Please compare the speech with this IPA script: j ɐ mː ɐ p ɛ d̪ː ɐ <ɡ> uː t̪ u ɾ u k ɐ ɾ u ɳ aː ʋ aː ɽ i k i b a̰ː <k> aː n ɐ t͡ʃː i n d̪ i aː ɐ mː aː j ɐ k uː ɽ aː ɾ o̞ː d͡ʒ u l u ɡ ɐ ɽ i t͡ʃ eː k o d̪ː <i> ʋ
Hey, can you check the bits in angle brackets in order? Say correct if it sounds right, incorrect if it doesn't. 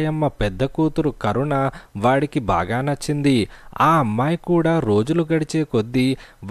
incorrect: k, incorrect: ɡ, correct

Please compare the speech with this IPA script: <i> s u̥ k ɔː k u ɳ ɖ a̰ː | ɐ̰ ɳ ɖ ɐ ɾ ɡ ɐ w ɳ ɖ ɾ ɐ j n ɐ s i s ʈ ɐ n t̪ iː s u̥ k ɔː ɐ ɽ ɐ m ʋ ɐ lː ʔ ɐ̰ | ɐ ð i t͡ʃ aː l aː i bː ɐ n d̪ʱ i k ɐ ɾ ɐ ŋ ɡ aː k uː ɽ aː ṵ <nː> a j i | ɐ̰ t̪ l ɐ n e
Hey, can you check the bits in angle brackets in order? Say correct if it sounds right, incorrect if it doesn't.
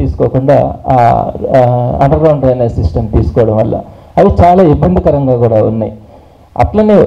incorrect: iː, correct

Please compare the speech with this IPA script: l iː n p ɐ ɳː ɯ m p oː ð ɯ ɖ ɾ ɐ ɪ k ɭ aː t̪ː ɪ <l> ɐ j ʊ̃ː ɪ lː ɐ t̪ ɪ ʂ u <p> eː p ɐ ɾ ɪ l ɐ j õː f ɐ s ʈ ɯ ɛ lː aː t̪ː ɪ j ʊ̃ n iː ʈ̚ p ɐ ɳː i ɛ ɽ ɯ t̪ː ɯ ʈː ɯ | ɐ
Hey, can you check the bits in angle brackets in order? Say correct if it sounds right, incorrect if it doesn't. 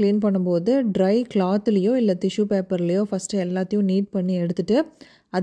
correct, correct

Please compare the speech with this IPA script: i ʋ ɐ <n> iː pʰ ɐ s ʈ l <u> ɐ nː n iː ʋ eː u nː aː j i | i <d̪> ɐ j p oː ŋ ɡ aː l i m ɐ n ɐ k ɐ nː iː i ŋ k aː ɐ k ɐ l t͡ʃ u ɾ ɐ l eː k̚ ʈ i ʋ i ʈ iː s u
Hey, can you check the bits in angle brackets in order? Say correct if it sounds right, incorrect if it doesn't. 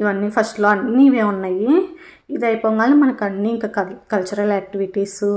incorrect: nː, incorrect: o, correct

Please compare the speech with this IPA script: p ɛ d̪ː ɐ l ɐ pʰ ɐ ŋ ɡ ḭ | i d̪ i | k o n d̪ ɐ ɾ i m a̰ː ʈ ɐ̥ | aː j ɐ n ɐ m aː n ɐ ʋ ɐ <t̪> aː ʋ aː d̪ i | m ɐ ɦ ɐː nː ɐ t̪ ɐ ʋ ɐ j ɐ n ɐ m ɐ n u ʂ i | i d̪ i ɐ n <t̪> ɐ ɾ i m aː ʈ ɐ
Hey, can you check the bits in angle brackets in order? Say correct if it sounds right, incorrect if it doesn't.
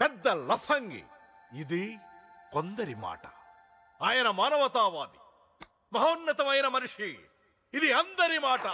correct, incorrect: d̪

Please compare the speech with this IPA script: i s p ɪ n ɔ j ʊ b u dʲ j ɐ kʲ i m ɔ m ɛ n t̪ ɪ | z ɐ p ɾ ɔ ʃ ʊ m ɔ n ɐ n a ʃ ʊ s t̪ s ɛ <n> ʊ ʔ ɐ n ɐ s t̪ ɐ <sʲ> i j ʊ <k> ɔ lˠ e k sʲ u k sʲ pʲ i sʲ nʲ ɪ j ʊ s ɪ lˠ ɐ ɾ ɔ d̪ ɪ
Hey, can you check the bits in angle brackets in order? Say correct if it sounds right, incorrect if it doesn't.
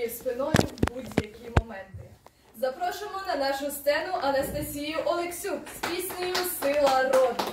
correct, correct, incorrect: ʔ

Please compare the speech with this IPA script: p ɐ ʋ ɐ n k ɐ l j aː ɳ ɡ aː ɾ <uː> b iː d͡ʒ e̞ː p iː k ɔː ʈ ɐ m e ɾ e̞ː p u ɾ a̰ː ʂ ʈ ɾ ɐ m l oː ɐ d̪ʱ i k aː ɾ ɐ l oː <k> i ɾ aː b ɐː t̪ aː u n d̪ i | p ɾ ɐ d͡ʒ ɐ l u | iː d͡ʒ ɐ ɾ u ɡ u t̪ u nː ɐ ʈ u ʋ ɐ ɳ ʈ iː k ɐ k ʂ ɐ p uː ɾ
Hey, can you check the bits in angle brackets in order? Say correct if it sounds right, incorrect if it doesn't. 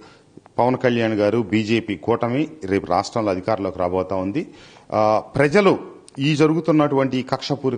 incorrect: u, correct

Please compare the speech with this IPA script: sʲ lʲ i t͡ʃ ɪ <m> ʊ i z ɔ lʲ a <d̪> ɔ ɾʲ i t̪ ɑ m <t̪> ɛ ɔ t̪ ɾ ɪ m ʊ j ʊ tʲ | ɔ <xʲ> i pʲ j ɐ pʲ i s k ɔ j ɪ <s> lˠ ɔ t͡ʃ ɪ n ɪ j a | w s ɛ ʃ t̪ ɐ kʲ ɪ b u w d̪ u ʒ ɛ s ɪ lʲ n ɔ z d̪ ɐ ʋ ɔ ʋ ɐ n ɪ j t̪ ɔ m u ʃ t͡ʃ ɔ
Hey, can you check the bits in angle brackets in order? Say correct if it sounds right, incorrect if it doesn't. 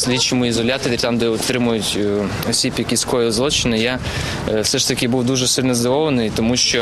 correct, incorrect: t̪, incorrect: d̪, incorrect: sʲ, incorrect: z

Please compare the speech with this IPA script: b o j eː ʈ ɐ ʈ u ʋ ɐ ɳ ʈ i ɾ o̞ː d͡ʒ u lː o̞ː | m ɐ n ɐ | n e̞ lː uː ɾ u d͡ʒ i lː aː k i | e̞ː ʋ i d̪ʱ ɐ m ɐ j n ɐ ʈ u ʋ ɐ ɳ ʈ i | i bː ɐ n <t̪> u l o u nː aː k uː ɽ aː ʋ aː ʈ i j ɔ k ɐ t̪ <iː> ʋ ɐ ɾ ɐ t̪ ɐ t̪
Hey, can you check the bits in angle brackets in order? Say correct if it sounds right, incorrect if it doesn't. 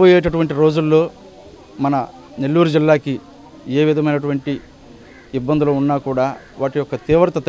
incorrect: d̪, correct

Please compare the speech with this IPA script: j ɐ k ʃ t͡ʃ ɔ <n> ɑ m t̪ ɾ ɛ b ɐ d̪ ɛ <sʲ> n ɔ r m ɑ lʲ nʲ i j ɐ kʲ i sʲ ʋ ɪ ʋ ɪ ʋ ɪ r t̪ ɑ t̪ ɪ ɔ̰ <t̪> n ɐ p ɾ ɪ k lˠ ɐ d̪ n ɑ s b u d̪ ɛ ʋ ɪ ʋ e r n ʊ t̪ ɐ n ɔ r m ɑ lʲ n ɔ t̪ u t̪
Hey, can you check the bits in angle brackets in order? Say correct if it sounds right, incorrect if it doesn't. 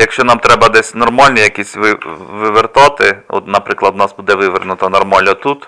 correct, correct, correct

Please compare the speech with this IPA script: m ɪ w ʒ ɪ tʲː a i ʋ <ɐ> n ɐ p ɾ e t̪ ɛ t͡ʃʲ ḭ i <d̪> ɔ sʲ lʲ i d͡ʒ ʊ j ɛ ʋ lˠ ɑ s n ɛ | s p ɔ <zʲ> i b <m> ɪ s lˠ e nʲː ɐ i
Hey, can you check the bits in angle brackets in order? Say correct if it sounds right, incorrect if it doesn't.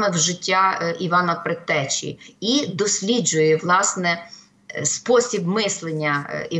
incorrect: ɑ, correct, incorrect: sʲ, correct

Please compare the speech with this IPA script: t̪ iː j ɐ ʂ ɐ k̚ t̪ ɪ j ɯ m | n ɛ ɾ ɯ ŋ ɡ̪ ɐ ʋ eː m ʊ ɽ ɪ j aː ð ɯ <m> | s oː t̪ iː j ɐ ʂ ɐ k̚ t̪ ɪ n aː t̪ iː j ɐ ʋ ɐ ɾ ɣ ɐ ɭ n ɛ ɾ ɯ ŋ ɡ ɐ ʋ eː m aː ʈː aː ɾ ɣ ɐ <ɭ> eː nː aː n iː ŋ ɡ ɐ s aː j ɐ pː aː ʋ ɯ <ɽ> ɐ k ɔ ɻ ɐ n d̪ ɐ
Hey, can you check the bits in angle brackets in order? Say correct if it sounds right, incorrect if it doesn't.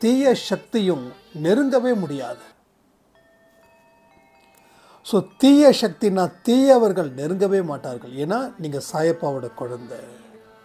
incorrect: none, correct, correct

